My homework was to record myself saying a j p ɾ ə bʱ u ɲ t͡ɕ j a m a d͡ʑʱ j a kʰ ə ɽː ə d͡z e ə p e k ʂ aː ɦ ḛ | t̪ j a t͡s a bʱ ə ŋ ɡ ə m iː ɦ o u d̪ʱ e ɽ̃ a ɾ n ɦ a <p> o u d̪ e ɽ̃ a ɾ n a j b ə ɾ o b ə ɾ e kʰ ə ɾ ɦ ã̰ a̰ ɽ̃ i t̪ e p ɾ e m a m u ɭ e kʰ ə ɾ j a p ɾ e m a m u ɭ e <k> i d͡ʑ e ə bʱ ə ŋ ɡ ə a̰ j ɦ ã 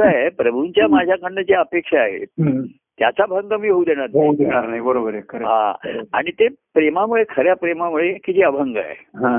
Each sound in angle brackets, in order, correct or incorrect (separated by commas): incorrect, correct